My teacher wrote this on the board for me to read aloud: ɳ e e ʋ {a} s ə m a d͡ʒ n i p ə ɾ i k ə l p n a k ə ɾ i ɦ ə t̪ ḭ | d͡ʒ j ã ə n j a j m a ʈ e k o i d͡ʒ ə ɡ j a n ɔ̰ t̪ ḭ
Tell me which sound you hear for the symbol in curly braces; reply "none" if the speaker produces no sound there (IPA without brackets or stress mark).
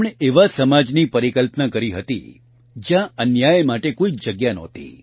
a